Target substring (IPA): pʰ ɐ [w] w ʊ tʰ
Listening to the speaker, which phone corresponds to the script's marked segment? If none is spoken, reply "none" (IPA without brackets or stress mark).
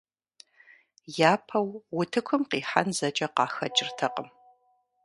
w